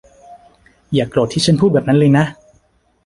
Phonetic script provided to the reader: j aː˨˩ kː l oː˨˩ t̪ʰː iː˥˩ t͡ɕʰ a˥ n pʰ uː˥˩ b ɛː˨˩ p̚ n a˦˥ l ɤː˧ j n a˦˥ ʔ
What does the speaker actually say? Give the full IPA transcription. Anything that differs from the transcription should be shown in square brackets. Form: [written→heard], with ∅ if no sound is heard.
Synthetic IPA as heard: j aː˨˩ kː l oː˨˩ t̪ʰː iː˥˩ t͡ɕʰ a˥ n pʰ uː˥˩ b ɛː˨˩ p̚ n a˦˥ l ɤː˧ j n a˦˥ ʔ